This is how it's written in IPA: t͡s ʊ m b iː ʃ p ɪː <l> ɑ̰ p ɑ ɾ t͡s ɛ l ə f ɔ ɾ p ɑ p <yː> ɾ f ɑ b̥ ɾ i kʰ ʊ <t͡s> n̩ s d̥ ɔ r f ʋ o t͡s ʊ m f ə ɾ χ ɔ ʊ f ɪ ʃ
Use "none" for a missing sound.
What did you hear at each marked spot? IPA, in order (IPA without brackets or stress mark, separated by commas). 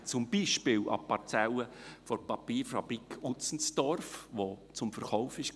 l, iː, t͡s